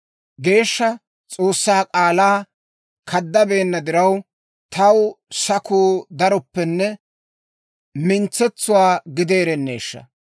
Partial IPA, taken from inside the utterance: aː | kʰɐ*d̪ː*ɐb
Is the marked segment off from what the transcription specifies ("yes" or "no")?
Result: no